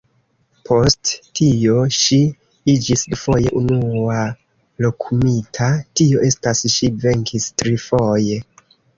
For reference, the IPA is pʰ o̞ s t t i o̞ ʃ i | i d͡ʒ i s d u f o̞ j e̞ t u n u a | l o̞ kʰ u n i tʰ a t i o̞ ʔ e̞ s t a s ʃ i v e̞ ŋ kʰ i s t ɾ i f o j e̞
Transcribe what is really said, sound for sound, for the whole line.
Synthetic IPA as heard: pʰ o̞ s t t i o̞ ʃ i | i d͡ʒ i s d u f o̞ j e̞ ʔ u n u a | l o̞ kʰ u m i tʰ a t i o̞ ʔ e̞ s t a s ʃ i v e̞ ŋ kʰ i s t ɾ i f o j e̞